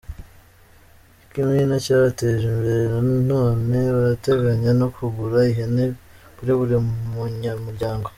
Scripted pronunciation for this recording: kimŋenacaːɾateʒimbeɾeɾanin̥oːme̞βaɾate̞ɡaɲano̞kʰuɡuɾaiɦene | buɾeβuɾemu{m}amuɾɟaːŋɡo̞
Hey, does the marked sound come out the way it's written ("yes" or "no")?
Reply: no